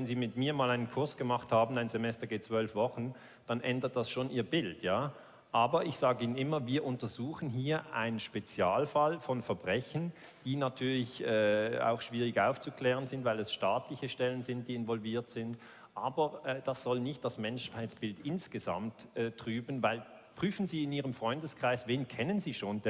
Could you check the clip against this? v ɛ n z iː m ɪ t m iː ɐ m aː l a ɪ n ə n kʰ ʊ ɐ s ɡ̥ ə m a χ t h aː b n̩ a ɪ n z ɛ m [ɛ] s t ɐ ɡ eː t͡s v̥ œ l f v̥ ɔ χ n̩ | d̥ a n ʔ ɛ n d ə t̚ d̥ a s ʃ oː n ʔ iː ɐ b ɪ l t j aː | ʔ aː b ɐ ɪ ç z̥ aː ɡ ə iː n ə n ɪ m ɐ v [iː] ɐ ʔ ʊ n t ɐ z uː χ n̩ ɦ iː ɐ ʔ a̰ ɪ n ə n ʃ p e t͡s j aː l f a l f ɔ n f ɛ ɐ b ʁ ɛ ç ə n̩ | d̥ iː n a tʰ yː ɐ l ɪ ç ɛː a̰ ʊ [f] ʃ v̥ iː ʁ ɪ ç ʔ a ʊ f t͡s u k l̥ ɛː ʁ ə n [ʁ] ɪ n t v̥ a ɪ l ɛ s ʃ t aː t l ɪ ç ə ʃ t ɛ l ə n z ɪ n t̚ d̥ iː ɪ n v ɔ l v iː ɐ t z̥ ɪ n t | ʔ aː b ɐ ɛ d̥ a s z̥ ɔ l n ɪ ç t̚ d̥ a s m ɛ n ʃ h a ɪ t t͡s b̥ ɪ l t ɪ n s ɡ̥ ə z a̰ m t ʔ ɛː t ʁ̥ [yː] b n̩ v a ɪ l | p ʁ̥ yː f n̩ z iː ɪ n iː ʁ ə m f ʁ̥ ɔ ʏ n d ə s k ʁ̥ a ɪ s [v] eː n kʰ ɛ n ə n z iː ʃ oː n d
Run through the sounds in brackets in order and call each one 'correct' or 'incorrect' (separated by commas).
correct, correct, incorrect, incorrect, correct, correct